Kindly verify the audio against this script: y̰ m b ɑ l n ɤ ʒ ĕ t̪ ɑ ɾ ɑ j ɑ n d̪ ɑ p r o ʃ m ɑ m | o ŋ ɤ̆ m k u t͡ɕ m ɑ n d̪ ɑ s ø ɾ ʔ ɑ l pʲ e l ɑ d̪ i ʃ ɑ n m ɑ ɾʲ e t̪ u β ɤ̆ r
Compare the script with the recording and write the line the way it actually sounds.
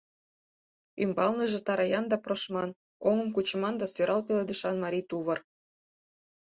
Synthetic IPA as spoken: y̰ m b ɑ l n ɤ ʒ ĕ t̪ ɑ ɾ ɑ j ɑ n d̪ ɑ p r o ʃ m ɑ n | o ŋ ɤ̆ m k u t͡ɕ m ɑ n d̪ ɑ s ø ɾ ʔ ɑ l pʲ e l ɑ d̪ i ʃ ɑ n m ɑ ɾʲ i t̪ u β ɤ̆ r

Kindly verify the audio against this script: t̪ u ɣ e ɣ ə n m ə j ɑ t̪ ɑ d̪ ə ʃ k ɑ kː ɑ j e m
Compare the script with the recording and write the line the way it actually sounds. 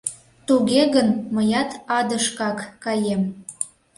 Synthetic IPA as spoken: t̪ u ɣ e ɣ ə n m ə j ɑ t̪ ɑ d̪ ə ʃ k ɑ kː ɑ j e m

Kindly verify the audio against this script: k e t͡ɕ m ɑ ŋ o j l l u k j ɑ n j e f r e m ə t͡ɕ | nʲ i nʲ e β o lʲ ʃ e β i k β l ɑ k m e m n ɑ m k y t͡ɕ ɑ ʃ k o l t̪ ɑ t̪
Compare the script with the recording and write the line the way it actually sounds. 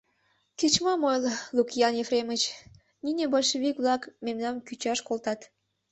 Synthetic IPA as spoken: k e t͡ɕ m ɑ m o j l l u k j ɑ n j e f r e m ə t͡ɕ | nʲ i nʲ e b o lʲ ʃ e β i k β l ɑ k m e m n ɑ m k y t͡ɕ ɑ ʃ k o l t̪ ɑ t̪

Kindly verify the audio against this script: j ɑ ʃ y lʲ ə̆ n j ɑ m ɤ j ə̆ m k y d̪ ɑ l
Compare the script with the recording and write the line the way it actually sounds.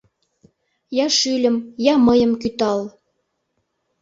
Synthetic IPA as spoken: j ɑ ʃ y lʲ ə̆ m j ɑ m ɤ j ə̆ m k y t̪ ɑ l

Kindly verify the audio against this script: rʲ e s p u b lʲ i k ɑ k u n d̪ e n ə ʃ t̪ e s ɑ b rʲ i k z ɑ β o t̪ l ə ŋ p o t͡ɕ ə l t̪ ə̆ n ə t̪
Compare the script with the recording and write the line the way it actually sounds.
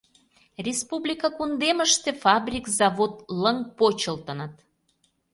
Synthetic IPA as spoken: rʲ e s p u b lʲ i k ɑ k u n d̪ e m ə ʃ t̪ e f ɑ b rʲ i k z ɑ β o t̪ l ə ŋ p o t͡ɕ ə l t̪ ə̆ n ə t̪

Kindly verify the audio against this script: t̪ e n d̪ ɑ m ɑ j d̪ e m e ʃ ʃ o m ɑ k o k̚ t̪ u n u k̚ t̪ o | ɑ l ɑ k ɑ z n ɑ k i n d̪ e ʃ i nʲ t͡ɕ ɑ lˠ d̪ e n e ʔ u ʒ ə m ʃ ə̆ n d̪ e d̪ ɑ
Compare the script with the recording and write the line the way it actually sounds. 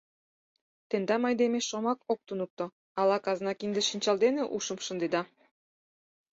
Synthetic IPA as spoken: t̪ e n d̪ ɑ m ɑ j d̪ e m e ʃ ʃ o m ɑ k o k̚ t̪ u n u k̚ t̪ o | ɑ l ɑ k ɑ z n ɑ k i n d̪ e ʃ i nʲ t͡ɕ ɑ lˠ d̪ e n e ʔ u ʃ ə m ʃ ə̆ n d̪ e d̪ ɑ

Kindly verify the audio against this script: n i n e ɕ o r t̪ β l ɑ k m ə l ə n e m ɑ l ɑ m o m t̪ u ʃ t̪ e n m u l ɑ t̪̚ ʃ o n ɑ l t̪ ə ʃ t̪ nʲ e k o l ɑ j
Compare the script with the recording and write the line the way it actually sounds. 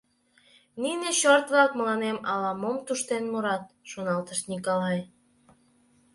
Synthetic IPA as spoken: n i n e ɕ o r t̪ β l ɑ k m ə l ɑ n e m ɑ l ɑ m o m t̪ u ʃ t̪ e n m u ɾ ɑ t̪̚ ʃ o n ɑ l t̪ ə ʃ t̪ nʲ i k o l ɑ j

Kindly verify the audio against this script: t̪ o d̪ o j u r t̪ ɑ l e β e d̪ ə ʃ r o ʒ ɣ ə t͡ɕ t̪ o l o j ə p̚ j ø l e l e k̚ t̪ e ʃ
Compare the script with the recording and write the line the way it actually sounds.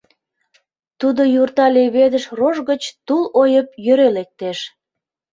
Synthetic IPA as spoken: t̪ u d̪ o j u r t̪ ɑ l e β e d̪ ə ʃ r o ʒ ɣ ə t͡ɕ t̪ u l o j ə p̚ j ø ɾ e l e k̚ t̪ e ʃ

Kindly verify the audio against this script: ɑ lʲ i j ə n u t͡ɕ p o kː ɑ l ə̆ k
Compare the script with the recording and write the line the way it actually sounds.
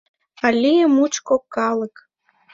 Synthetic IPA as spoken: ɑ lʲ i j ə m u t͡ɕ k o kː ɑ l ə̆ k

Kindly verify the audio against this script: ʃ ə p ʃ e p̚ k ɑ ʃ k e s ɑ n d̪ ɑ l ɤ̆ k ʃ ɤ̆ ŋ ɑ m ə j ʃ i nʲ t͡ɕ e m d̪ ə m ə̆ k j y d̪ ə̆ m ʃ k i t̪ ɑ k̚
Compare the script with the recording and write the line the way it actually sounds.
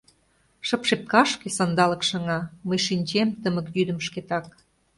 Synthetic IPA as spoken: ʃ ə p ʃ e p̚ k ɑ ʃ k e s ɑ n d̪ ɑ l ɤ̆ k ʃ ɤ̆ ŋ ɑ m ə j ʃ i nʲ t͡ɕ e m t̪ ə m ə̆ k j y d̪ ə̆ m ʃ k e t̪ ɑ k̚

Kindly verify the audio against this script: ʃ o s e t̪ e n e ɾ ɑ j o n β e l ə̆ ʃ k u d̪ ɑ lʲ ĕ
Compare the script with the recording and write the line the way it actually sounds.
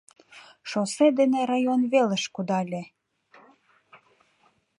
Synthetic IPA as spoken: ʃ o s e d̪ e n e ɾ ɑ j o n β e l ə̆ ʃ k u d̪ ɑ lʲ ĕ

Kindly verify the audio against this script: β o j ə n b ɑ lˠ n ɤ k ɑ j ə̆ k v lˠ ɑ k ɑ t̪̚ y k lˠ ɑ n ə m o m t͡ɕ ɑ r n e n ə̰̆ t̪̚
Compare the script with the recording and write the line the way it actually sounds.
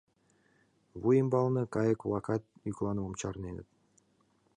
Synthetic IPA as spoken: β u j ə m b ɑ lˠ n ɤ k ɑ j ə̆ k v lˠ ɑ k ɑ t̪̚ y k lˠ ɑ n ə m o m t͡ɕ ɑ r n e n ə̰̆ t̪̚

